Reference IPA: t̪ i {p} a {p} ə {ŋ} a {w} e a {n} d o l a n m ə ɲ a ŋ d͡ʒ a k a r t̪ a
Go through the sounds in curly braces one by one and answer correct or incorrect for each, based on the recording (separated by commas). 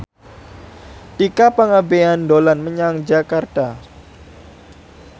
incorrect, correct, correct, incorrect, correct